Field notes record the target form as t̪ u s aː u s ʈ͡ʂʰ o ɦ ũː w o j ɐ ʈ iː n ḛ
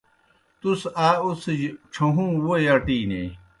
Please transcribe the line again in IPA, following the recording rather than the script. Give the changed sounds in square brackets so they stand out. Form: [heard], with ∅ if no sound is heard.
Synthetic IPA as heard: t̪ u s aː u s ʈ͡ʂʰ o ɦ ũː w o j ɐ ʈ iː n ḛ